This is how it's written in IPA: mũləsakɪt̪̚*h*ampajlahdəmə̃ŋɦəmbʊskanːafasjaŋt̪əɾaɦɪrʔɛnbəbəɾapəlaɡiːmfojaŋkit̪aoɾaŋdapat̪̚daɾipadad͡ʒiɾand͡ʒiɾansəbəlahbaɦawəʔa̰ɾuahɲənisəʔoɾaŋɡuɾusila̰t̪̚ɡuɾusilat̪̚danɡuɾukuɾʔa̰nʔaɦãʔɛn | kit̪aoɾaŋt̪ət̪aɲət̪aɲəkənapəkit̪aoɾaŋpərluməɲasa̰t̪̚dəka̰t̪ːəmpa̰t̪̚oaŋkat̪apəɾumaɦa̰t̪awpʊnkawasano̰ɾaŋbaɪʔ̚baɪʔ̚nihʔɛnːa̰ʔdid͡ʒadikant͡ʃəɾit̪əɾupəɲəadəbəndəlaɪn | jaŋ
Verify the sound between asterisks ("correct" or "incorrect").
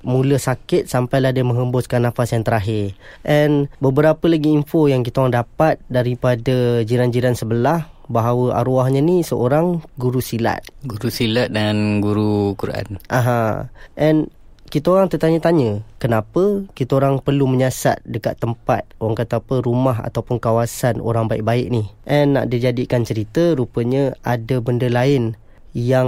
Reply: incorrect